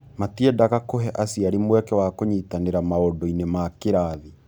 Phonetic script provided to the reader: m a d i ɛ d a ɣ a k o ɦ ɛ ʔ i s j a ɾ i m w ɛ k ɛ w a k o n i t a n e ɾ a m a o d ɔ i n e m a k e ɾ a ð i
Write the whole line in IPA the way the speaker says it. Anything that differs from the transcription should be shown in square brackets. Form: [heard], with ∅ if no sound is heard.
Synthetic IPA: m a [t] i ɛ d a ɣ a k o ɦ ɛ ʔ [a] s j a ɾ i m w ɛ k ɛ w a k o [ɲ] i t a n e ɾ a m a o d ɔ i n e m a k e ɾ a ð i